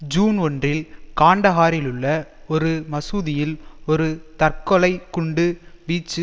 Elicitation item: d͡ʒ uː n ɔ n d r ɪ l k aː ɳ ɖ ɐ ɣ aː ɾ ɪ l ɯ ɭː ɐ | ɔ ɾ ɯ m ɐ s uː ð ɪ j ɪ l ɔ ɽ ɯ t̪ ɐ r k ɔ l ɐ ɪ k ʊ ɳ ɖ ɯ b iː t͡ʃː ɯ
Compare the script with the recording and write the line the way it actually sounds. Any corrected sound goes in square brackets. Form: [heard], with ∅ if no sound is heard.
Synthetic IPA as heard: d͡ʒ uː n ɔ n d r ɪ l k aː ɳ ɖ ɐ ɣ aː ɾ ɪ l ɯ ɭː ɐ | ɔ ɾ ɯ m ɐ s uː ð ɪ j ɪ l ɔ [ɾ] ɯ t̪ ɐ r k ɔ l ɐ ɪ k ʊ ɳ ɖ ɯ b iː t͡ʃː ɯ